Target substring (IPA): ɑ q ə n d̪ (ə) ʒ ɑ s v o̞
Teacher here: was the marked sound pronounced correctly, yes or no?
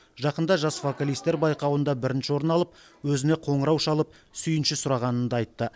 no